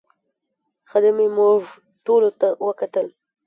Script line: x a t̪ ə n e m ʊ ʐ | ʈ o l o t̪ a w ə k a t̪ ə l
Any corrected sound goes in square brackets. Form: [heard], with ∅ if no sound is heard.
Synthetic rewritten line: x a [d̪] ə [m] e m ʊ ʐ | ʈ o l o t̪ a w ə k a t̪ ə l

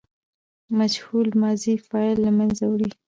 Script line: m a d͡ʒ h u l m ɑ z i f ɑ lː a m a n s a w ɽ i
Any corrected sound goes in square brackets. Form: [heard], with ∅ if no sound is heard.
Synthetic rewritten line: m a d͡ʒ h u l m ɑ z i f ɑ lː a m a n [z] a w ɽ i

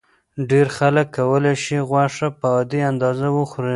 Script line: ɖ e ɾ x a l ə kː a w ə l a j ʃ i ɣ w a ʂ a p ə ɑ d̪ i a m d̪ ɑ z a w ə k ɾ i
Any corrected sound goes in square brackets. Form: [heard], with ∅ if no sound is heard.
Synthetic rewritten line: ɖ e ɾ x a l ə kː a w ə l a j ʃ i ɣ w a ʂ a p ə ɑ d̪ i a [n] d̪ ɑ z a w ə [x] ɾ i

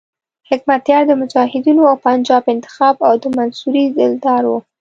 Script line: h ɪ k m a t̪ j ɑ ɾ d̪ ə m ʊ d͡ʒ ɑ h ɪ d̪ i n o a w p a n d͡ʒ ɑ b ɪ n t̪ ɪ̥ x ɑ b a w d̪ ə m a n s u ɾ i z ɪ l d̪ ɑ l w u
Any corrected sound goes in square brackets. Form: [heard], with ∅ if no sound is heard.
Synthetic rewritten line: h ɪ k m a t̪ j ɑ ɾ d̪ ə m ʊ d͡ʒ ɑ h ɪ d̪ i n o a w p a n d͡ʒ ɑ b ɪ n t̪ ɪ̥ x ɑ b a w d̪ ə m a n s u ɾ i z ɪ l d̪ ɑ [ɾ] w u

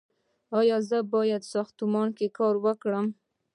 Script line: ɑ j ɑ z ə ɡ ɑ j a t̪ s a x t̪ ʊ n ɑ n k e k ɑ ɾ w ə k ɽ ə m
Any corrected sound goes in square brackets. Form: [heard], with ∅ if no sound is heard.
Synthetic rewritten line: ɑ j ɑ z ə [b] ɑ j a [d̪] s [ɑ] x t̪ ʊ [m] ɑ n k e k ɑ ɾ w ə k ɽ ə m

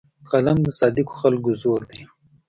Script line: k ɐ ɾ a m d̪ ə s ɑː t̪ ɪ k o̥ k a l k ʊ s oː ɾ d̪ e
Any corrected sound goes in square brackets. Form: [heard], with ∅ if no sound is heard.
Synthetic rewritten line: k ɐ [l] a m d̪ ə s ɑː [d̪] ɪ k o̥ [x] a l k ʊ [z] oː ɾ d̪ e

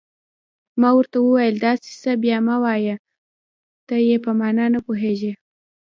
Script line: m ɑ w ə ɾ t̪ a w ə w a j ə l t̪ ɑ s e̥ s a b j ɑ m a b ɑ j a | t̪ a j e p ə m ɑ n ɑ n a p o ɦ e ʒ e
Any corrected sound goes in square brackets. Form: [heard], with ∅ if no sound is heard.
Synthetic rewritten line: m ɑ w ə ɾ t̪ a w ə w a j ə l [d̪] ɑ s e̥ s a b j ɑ m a [w] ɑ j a | t̪ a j e p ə m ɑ n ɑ n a p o ɦ e ʒ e

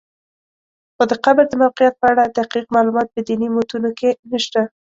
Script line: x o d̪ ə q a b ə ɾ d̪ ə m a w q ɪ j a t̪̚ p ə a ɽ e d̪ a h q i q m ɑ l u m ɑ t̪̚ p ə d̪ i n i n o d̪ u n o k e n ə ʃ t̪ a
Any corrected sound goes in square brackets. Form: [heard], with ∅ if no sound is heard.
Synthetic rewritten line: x o d̪ ə q a b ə ɾ d̪ ə m a w q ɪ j a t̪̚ p ə a ɽ [a] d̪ a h q i q m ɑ l u m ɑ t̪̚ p ə d̪ i n i [m] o [t̪] u n o k e n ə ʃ t̪ a

